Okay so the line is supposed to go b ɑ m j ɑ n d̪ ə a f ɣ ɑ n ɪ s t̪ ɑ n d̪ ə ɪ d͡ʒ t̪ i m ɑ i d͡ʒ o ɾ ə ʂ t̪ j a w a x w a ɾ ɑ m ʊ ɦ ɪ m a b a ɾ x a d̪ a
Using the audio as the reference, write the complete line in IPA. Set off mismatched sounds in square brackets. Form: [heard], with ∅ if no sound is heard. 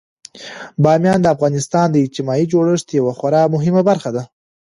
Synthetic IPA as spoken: b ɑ m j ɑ n d̪ ə a f ɣ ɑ n ɪ s t̪ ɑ n d̪ ə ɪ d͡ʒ t̪ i m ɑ i d͡ʒ o [ɽ] ə ʂ t̪ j a w a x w a ɾ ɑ m ʊ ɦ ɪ m a b a ɾ x a d̪ a